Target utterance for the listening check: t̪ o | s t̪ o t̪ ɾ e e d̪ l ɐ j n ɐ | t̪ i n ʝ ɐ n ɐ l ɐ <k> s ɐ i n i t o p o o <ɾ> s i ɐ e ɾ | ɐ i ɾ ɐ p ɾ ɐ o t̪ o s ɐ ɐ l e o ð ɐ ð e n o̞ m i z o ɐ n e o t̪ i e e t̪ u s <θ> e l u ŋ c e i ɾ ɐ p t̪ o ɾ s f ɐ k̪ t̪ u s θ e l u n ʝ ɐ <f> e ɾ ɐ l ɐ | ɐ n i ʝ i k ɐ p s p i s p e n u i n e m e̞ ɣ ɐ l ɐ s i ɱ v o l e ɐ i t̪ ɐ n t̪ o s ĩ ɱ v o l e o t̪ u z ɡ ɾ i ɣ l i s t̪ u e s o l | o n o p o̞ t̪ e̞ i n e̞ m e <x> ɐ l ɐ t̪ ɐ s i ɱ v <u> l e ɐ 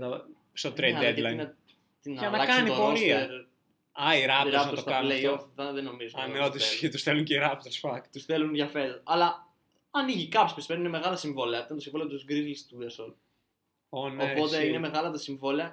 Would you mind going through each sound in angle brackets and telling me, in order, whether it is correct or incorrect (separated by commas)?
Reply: correct, correct, correct, correct, incorrect, incorrect